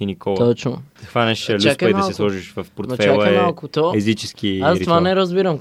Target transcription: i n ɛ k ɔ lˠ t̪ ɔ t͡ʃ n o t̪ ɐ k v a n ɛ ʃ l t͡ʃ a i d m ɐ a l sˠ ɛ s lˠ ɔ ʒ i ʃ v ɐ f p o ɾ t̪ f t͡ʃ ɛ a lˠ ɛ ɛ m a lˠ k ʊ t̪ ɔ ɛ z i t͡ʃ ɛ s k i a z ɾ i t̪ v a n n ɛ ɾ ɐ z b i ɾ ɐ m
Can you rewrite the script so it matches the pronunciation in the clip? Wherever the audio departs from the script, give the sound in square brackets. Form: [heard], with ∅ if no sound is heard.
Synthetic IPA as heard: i n [i] k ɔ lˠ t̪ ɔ t͡ʃ n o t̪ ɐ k v a n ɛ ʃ l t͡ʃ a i d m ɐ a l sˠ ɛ s lˠ ɔ ʒ i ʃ v ɐ f p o ɾ t̪ f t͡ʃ ɛ a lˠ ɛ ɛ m a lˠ k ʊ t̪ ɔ ɛ z i t͡ʃ ɛ s k i a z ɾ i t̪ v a n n ɛ ɾ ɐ z b i ɾ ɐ m